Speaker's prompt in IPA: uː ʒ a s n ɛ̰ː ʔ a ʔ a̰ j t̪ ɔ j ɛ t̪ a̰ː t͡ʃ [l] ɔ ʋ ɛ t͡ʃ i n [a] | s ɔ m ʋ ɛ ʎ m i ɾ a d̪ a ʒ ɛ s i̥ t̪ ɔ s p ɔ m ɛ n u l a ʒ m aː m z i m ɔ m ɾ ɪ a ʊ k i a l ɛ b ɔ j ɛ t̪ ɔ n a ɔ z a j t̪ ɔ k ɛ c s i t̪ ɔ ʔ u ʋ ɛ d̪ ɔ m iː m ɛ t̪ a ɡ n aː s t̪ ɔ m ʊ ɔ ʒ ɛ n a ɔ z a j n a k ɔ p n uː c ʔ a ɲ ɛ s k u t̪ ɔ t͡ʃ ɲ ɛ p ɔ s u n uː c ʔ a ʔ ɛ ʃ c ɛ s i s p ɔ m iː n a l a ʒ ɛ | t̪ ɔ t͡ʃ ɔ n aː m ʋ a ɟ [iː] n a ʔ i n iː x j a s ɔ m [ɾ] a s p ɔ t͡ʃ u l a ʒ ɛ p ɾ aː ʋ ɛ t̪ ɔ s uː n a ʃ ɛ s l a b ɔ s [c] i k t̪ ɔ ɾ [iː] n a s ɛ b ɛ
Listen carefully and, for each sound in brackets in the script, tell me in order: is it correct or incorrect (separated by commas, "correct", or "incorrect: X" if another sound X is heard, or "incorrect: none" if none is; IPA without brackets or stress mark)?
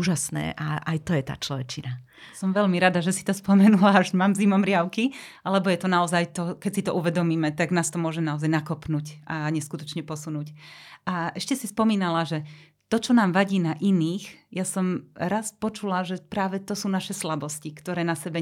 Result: correct, correct, correct, correct, correct, incorrect: ɛː